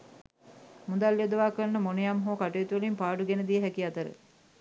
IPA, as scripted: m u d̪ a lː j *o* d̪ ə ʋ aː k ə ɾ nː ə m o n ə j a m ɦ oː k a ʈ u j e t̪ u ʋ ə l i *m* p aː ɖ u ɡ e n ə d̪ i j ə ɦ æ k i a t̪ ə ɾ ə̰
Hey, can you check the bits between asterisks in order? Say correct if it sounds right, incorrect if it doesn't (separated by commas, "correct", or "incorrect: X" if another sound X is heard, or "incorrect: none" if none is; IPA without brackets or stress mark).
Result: correct, correct